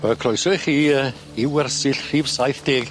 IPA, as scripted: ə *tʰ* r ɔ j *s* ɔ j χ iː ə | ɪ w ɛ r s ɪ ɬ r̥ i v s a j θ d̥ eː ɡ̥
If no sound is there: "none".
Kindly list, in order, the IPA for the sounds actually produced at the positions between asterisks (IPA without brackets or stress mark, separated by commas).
kʰ, s